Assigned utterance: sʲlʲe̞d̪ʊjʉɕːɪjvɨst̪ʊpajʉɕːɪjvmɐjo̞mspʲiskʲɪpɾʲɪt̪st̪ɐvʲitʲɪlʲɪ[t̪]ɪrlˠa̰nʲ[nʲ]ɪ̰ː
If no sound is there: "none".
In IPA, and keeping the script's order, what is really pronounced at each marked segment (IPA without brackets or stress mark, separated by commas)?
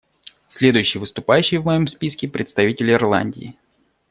none, dʲ